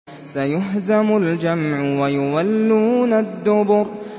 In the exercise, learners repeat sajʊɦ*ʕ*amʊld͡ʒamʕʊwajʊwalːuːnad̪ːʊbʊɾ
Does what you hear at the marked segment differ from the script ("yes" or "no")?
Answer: yes